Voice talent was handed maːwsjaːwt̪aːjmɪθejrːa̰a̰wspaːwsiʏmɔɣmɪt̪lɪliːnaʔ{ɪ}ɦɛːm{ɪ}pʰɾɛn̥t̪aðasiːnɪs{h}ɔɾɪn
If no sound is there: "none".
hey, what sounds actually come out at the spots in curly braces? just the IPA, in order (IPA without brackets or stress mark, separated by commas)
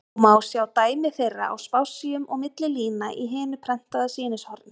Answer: i, ɪ, h